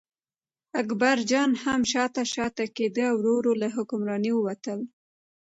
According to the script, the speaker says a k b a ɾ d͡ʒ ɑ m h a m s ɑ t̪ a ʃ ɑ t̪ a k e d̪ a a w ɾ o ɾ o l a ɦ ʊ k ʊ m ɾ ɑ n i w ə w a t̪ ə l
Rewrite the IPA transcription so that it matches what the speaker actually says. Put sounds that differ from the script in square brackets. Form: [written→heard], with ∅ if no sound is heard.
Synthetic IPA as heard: a k b a ɾ d͡ʒ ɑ [m→n] h a m [s→ʃ] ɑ t̪ a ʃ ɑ t̪ a k e d̪ [a→ə] a w ɾ o ɾ o l a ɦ ʊ k ʊ m ɾ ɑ n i w ə w a t̪ ə l